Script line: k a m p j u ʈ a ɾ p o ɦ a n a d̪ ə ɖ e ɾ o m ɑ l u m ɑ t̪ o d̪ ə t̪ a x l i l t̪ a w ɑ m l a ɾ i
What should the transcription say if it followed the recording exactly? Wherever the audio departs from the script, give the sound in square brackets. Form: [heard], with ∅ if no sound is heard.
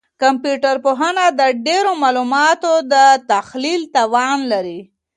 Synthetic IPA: k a m p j u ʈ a ɾ p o ɦ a n a d̪ ə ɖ e ɾ o m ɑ l u m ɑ t̪ o d̪ ə t̪ a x l i l t̪ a w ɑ [n] l a ɾ i